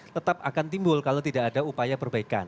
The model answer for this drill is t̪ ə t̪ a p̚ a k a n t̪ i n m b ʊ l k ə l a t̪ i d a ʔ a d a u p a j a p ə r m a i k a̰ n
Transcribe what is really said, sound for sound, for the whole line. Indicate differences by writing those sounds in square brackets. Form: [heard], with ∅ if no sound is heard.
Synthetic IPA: t̪ ə t̪ a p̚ a k a n t̪ i [∅] m b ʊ l k [a] l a t̪ i d a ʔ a d a u p a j a p ə r [b] a i k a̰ n